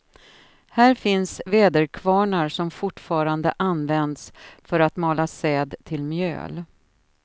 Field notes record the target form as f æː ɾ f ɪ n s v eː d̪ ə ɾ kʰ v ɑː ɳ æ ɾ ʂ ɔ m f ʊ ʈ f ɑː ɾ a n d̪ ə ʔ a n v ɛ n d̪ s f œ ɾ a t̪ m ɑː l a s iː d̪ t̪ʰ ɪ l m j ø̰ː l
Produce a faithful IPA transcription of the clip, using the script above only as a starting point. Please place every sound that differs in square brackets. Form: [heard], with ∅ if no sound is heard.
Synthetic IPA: [h] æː ɾ f ɪ n s v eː d̪ ə ɾ kʰ v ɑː ɳ [a] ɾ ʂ ɔ m f ʊ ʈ f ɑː ɾ a n d̪ ə ʔ a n v ɛ n d̪ s f œ ɾ a t̪ m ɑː l a s [ɛː] d̪ t̪ʰ ɪ l m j ø̰ː l